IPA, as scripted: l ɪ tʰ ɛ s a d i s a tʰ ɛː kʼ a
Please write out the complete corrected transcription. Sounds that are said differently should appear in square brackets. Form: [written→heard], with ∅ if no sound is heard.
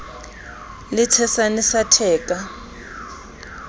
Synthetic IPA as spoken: l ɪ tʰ ɛ s a [d→n] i s a tʰ ɛː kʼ a